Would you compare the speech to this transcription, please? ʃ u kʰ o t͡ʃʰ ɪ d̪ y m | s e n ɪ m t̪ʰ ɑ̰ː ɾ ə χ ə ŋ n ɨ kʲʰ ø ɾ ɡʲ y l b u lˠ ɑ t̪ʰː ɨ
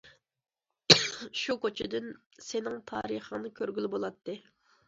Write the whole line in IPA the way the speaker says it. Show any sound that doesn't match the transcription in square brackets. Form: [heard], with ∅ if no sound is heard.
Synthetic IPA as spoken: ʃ u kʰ o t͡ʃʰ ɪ d̪ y [n] | s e n ɪ [ŋ] t̪ʰ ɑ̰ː ɾ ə χ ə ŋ n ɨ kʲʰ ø ɾ ɡʲ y l b [o] lˠ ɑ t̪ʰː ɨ